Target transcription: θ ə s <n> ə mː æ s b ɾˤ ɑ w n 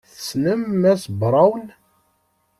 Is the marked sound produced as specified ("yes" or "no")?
yes